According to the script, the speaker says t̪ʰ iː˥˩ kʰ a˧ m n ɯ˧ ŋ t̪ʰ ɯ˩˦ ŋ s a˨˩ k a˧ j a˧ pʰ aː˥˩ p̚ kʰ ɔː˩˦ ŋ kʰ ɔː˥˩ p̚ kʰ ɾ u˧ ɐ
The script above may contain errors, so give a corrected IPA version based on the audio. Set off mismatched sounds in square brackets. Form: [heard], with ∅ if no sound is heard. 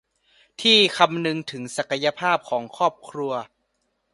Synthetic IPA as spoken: t̪ʰ iː˥˩ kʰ a˧ m n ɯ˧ ŋ t̪ʰ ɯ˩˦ ŋ s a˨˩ k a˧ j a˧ pʰ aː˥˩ p̚ kʰ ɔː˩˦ ŋ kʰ ɔː˥˩ p̚ kʰ ɾ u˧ ɐ